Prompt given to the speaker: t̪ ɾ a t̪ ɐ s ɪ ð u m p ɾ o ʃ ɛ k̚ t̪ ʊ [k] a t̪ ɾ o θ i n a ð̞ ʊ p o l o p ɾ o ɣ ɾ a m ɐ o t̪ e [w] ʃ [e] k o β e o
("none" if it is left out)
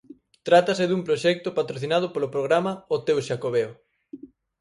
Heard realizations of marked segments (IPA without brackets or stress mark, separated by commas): p, w, a